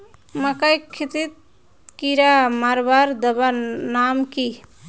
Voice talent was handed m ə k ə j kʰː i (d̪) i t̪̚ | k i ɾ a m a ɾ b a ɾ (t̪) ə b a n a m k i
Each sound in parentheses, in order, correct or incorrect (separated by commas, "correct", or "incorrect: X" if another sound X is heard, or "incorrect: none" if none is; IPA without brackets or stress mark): incorrect: t̪, incorrect: d̪